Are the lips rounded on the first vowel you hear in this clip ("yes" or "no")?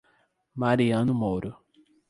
no